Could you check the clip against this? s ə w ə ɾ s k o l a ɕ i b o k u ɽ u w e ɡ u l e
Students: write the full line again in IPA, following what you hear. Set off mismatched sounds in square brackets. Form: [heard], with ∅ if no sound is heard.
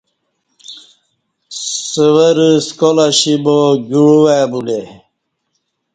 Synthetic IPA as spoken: s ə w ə ɾ s k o l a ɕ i b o [ɡ] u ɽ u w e [b] u l e

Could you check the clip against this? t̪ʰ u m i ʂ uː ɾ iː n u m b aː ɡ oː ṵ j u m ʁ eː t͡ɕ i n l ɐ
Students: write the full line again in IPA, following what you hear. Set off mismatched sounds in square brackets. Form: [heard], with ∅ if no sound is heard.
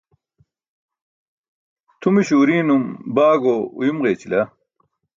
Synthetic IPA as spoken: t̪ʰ u m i [ɕ] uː ɾ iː n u m b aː ɡ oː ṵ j u m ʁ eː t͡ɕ i [∅] l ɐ

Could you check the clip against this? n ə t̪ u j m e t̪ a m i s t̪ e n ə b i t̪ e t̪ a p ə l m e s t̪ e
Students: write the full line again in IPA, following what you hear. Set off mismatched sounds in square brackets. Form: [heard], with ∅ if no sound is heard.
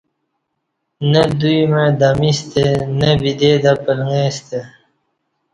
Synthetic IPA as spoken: n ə [d̪] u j m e [d̪] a m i s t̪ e n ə b i [d̪] e [d̪] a p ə l [ŋ] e s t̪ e

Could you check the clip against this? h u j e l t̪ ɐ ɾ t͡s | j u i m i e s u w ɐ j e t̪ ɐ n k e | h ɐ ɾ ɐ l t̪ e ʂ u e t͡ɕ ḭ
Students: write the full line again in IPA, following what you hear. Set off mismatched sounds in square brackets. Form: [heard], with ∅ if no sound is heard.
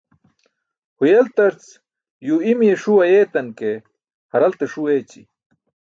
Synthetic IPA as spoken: h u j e l t̪ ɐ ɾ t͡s | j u i m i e [ʂ] u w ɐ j e t̪ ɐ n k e | h ɐ ɾ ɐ l t̪ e ʂ u e t͡ɕ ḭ

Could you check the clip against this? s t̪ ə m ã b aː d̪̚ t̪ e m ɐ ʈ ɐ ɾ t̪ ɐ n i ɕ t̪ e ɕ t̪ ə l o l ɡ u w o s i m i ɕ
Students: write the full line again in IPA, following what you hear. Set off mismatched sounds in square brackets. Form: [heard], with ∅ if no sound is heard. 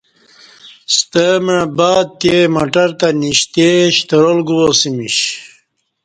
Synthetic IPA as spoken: s t̪ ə m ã b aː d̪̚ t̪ e m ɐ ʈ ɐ ɾ t̪ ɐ n i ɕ t̪ e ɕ t̪ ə [ɾ] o l ɡ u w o s i m i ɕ

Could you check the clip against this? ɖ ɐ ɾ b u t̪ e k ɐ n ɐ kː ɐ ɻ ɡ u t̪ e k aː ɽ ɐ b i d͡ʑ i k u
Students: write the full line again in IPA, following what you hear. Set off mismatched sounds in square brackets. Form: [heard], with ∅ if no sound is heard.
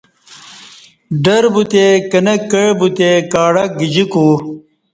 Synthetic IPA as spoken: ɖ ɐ ɾ b u t̪ e k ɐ n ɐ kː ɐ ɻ [b] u t̪ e k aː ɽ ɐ [ɡ] i d͡ʑ i k u

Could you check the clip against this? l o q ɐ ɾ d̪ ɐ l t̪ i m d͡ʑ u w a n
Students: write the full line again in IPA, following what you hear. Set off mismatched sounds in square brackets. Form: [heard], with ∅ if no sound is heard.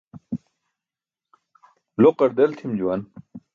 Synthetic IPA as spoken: l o q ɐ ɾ d̪ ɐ l [t̪ʰ] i m d͡ʑ u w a n

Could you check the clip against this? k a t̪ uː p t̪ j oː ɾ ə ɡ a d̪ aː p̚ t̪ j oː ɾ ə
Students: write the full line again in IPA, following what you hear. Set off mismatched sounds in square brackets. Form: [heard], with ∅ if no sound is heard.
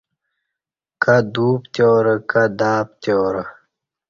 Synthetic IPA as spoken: k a [d̪] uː p t̪ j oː ɾ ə [k] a d̪ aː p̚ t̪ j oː ɾ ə

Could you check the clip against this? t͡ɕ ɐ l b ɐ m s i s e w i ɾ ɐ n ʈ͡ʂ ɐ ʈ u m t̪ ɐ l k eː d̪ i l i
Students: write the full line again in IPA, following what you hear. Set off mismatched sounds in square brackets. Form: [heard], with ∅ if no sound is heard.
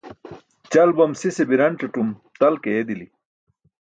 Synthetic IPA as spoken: t͡ɕ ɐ l b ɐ m s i s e [b] i ɾ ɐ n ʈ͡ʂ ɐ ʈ u m t̪ ɐ l k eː d̪ i l i

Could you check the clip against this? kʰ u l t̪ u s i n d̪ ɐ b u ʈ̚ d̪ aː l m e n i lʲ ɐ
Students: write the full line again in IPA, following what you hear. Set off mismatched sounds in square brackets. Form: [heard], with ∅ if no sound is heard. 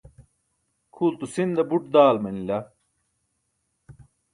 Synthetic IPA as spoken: kʰ u l t̪ u s i n d̪ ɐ b u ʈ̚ d̪ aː l m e n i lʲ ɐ

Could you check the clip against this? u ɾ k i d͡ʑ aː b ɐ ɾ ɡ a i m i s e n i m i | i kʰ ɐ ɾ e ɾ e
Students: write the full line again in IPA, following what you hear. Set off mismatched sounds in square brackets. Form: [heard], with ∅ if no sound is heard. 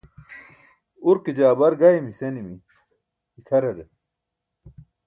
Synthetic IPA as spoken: u ɾ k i d͡ʑ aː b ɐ ɾ ɡ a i m i s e n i m i | i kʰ ɐ ɾ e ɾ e

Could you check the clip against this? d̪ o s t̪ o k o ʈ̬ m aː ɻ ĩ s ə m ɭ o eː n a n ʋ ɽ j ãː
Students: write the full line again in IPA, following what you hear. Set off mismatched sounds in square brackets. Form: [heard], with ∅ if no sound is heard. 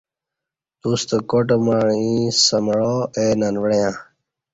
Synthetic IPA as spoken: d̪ [u] s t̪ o k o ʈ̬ m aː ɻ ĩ s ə m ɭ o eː n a n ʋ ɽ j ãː

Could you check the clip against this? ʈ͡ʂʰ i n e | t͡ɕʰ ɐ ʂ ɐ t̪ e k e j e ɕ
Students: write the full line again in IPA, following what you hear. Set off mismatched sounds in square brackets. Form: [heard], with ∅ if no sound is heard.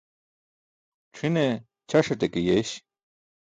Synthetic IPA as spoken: ʈ͡ʂʰ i n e | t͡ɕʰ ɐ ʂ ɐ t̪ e k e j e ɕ

